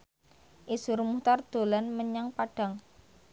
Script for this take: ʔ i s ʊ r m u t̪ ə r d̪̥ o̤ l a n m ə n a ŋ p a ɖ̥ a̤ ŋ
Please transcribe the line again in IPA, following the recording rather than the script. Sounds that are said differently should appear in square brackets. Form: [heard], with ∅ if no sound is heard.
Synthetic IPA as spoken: ʔ i s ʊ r m u t̪ [a] r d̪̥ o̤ l a n m ə [ɲ] a ŋ p a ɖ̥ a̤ ŋ